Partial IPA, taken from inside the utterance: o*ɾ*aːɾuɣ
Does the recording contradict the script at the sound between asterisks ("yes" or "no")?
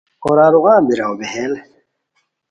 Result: no